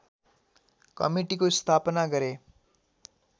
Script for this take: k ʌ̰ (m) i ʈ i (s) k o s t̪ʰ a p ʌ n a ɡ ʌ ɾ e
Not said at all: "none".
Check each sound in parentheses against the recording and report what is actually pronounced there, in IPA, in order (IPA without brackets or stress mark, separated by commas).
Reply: m, none